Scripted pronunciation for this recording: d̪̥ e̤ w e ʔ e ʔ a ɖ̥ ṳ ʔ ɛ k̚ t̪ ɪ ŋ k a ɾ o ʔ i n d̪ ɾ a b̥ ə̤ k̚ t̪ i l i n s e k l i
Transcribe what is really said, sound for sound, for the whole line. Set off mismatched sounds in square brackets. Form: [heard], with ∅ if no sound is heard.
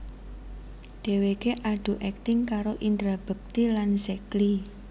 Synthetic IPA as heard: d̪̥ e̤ w e [k] e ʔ a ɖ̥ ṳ ʔ ɛ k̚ t̪ ɪ ŋ k a ɾ o ʔ i n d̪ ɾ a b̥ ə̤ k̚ t̪ i l [a] n s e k l i